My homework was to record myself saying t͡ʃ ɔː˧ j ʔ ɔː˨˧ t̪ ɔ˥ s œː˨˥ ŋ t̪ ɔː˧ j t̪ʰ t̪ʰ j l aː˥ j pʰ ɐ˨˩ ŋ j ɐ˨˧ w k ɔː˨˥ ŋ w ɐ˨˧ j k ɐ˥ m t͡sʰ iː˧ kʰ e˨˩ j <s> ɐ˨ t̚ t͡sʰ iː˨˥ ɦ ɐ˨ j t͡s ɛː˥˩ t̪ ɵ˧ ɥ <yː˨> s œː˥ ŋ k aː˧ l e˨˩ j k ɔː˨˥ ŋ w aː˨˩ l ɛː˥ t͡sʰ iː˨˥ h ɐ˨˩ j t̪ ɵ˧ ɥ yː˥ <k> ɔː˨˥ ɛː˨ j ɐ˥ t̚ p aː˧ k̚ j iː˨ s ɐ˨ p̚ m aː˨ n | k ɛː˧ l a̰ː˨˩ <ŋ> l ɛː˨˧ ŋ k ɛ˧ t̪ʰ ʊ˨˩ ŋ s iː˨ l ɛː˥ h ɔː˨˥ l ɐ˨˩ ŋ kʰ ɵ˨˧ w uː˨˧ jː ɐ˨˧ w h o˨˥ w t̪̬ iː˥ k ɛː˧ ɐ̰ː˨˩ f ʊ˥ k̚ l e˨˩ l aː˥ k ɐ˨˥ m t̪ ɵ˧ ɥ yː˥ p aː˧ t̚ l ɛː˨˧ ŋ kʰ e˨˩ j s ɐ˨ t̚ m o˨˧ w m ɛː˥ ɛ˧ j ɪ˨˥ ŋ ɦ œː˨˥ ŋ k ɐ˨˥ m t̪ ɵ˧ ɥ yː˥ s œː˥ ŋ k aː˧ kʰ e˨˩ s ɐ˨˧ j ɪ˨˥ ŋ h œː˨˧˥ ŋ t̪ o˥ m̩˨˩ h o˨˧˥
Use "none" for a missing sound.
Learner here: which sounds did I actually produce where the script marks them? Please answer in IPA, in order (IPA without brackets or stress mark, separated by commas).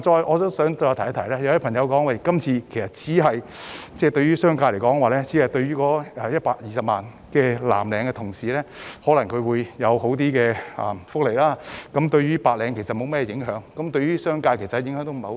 s, yː˥, k, m